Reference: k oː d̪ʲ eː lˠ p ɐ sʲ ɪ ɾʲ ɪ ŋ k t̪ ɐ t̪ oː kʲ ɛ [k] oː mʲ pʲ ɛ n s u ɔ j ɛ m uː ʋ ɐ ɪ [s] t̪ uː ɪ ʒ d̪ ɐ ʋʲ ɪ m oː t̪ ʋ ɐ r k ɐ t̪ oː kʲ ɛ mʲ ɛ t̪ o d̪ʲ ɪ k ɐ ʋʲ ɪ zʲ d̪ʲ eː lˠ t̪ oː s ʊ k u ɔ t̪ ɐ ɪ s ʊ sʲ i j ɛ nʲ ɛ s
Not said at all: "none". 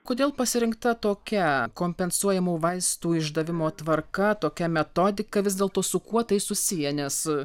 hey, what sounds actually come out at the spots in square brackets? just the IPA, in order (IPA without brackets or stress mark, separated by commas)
k, s